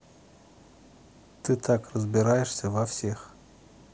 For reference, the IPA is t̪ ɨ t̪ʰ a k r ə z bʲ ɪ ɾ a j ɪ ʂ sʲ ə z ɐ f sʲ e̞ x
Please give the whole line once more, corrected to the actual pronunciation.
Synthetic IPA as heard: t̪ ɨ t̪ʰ a k r ə z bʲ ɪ ɾ a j ɪ ʂ sʲ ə v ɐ f sʲ e̞ x